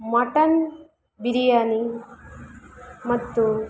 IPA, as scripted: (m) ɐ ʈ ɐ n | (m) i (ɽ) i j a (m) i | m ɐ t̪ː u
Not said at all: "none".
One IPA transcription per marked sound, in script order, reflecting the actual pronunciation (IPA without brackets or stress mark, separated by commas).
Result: m, b, ɾ, n